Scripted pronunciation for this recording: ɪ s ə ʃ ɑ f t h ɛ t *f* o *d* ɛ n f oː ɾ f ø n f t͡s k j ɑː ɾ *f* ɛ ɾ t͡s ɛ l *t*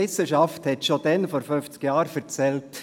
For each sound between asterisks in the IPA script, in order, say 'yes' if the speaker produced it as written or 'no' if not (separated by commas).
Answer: no, yes, yes, yes